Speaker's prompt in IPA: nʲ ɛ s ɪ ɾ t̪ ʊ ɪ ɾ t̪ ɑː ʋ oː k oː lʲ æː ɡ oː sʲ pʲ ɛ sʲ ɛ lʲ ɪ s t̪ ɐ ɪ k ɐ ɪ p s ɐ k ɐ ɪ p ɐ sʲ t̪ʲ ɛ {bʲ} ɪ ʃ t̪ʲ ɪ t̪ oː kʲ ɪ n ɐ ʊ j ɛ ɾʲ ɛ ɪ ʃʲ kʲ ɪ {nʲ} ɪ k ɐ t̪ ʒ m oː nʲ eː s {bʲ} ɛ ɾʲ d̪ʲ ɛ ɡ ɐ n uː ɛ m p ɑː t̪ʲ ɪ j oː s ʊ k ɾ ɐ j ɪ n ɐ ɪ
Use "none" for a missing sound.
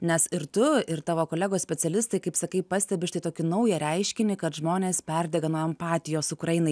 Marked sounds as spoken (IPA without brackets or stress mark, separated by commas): bʲ, nʲ, pʲ